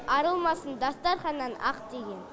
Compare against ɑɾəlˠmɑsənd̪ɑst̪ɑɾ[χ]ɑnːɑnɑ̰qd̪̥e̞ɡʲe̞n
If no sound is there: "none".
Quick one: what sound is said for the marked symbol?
χ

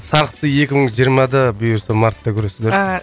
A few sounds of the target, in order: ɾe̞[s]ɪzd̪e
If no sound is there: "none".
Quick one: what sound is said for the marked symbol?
s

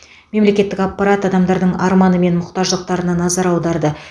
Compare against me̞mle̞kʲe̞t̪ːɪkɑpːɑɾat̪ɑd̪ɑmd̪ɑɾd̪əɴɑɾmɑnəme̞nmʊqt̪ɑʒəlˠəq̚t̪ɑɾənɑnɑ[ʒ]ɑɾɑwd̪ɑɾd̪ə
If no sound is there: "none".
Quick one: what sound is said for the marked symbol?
z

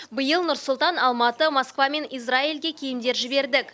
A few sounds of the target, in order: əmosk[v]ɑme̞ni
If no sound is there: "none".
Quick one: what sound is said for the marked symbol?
v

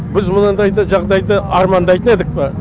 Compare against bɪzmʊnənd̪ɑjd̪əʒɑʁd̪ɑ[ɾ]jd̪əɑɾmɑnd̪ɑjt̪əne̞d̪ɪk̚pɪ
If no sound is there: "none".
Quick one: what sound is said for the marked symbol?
none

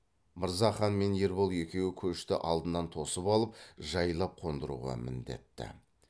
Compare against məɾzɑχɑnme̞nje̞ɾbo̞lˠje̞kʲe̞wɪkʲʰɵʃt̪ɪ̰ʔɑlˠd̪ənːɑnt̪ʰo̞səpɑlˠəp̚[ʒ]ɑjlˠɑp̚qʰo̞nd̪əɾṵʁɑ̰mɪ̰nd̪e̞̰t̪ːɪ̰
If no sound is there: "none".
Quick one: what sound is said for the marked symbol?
ʒ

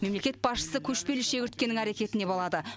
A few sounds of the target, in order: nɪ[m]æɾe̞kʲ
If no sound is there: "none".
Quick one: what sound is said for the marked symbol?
ŋ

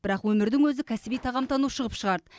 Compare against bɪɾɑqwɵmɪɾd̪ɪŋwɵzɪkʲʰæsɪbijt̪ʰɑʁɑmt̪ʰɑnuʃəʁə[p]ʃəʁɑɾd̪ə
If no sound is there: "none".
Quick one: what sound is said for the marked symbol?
p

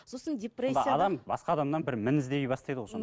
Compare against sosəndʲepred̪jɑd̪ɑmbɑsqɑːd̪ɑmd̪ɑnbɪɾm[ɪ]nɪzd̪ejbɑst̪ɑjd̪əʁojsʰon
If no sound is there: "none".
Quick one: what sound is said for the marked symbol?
ɪ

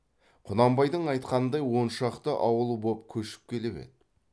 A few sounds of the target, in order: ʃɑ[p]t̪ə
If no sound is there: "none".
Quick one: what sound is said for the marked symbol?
q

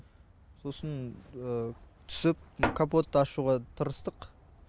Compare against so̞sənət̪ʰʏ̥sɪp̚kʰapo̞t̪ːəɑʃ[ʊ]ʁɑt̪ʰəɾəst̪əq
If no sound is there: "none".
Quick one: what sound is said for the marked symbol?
u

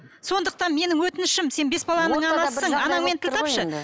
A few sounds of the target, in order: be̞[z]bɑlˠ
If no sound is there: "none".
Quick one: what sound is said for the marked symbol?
s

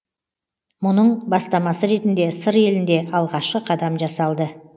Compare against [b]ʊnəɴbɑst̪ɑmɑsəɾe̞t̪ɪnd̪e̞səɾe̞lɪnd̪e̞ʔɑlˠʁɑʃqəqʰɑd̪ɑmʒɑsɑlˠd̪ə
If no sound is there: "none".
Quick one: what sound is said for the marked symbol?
m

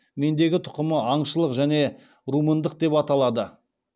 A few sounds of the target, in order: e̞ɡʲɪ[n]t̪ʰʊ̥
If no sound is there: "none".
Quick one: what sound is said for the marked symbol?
none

